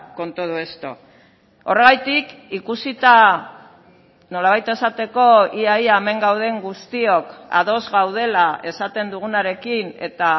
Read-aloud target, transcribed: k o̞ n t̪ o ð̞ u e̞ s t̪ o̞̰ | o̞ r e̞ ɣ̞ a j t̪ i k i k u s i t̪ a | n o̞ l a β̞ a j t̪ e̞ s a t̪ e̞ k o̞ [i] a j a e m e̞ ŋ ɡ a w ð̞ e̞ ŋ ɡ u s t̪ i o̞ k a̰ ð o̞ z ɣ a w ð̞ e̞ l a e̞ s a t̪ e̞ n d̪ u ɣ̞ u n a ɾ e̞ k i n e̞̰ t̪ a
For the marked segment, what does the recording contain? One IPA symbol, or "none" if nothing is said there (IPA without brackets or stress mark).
i